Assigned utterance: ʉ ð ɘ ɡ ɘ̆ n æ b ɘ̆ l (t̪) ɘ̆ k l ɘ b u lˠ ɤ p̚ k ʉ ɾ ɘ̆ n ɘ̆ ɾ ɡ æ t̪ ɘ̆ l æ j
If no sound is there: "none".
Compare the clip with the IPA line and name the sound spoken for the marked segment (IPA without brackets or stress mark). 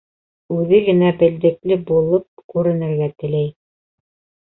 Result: d̪